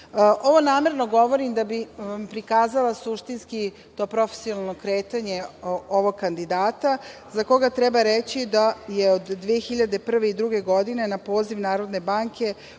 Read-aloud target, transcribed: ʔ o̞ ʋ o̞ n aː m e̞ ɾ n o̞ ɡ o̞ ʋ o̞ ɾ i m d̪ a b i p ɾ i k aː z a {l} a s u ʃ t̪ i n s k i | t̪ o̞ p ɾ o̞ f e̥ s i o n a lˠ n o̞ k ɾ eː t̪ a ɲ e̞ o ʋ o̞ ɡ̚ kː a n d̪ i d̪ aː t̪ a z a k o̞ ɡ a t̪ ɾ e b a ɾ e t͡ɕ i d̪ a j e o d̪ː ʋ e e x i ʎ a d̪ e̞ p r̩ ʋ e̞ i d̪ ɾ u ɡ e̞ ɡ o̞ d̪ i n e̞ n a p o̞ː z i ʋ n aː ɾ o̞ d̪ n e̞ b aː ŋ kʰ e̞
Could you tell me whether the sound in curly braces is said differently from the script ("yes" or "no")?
no